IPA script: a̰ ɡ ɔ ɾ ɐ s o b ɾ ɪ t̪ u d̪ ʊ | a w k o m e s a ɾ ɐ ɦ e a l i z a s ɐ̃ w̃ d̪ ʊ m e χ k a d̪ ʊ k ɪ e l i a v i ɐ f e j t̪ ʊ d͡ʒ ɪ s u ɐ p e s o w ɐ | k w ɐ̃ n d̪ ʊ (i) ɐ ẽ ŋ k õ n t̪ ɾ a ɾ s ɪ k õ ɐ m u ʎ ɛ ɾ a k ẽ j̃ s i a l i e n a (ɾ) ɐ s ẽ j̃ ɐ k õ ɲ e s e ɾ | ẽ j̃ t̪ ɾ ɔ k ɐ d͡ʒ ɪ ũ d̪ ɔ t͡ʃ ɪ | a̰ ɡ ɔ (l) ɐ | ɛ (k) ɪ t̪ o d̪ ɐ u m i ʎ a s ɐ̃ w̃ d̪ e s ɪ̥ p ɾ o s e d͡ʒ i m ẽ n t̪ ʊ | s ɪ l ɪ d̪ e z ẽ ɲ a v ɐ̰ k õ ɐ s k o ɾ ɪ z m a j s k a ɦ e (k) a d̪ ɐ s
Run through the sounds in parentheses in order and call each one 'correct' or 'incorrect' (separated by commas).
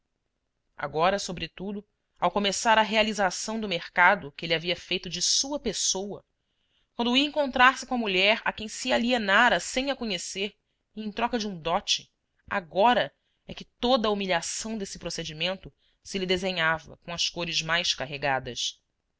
correct, correct, incorrect, correct, incorrect